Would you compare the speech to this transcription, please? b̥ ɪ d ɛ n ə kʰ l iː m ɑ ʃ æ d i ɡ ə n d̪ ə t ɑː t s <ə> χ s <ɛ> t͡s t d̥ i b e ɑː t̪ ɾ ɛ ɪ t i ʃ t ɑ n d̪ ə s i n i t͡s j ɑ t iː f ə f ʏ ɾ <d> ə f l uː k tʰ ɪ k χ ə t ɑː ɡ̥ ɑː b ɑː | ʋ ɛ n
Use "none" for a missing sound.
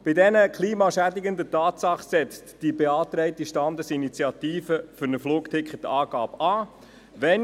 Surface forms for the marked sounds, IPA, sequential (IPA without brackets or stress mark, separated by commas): ɑ, ɛ, n